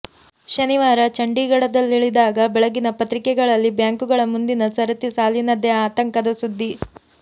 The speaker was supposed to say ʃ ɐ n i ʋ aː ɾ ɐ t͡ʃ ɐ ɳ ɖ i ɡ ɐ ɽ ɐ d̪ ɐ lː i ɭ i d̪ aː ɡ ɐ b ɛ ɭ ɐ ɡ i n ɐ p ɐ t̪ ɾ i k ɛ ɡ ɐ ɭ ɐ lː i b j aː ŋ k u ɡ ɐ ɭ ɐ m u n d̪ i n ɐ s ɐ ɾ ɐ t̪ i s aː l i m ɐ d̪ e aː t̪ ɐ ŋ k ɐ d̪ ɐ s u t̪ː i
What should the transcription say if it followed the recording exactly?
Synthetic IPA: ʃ ɐ n i ʋ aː ɾ ɐ t͡ʃ ɐ ɳ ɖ i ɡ ɐ ɽ ɐ d̪ ɐ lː i ɭ i d̪ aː ɡ ɐ b ɛ ɭ ɐ ɡ i n ɐ p ɐ t̪ ɾ i k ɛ ɡ ɐ ɭ ɐ lː i b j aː ŋ k u ɡ ɐ ɭ ɐ m u n d̪ i n ɐ s ɐ ɾ ɐ t̪ i s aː l i n ɐ d̪ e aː t̪ ɐ ŋ k ɐ d̪ ɐ s u d̪ː i

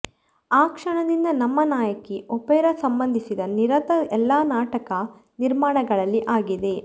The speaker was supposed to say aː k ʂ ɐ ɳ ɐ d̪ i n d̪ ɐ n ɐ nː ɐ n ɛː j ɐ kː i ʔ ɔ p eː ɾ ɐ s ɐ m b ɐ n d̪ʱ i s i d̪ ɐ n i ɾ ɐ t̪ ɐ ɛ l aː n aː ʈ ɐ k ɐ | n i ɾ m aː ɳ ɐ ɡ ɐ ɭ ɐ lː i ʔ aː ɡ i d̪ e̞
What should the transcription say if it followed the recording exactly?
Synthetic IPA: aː k ʂ ɐ ɳ ɐ d̪ i n d̪ ɐ n ɐ mː ɐ n aː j ɐ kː i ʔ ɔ p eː ɾ ɐ s ɐ m b ɐ n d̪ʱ i s i d̪ ɐ n i ɾ ɐ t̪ ɐ ɛ lː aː n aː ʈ ɐ k ɐ | n i ɾ m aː ɳ ɐ ɡ ɐ ɭ ɐ lː i ʔ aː ɡ i d̪ e̞

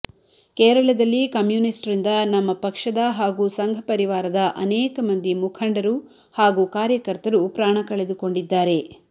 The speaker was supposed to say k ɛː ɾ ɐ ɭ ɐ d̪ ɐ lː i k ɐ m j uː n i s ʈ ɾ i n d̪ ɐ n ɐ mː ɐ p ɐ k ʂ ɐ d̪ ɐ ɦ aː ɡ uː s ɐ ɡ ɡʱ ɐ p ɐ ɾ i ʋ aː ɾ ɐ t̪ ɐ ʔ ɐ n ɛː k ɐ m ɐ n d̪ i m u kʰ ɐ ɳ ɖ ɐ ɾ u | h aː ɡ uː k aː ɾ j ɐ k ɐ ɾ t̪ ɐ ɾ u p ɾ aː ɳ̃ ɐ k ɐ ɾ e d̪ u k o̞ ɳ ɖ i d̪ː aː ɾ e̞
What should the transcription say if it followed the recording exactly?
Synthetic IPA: k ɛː ɾ ɐ ɭ ɐ d̪ ɐ lː i k ɐ m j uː n i s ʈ ɾ i n d̪ ɐ n ɐ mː ɐ p ɐ k ʂ ɐ d̪ ɐ ɦ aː ɡ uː s ɐ ŋ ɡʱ ɐ p ɐ ɾ i ʋ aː ɾ ɐ d̪ ɐ ʔ ɐ n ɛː k ɐ m ɐ n d̪ i m u kʰ ɐ ɳ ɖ ɐ ɾ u | h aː ɡ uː k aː ɾ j ɐ k ɐ ɾ t̪ ɐ ɾ u p ɾ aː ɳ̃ ɐ k ɐ ɭ e d̪ u k o̞ ɳ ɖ i d̪ː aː ɾ e̞

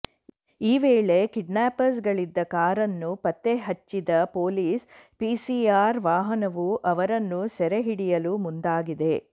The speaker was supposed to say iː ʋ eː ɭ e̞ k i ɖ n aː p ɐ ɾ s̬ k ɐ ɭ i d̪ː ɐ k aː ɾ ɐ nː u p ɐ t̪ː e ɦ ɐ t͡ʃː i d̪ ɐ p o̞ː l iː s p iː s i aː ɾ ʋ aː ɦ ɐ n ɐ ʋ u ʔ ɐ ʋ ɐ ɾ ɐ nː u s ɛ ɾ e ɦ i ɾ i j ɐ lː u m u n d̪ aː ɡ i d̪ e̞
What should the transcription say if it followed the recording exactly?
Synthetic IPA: iː ʋ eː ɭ e̞ k i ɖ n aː p ɐ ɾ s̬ ɡ ɐ ɭ i d̪ː ɐ k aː ɾ ɐ nː u p ɐ t̪ː e ɦ ɐ t͡ʃː i d̪ ɐ p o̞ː l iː s p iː s i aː ɾ ʋ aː ɦ ɐ n ɐ ʋ u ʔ ɐ ʋ ɐ ɾ ɐ nː u s ɛ ɾ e ɦ i ɽ i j ɐ l u m u n d̪ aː ɡ i d̪ e̞

